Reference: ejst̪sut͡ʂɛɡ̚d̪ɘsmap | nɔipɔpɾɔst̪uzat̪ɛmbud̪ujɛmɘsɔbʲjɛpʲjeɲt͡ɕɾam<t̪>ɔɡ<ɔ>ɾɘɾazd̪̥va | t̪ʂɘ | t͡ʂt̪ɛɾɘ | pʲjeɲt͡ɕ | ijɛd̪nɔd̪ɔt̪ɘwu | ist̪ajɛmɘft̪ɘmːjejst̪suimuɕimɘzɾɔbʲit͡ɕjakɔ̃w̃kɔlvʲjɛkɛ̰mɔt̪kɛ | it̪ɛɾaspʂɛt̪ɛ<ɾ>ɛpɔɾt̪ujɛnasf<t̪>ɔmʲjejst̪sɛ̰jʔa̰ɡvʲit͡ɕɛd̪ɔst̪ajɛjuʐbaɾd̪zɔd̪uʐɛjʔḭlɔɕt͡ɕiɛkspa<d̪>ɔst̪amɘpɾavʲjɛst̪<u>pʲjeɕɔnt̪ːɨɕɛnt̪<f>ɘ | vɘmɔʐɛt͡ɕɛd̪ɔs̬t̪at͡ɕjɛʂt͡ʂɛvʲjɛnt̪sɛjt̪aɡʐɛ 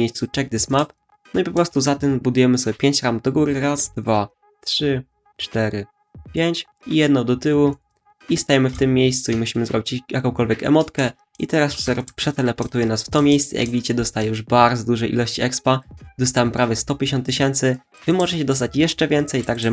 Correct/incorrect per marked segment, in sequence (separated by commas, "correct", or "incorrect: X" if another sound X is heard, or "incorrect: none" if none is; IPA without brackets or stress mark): incorrect: d̪, incorrect: u, incorrect: l, correct, correct, incorrect: ɔ, incorrect: s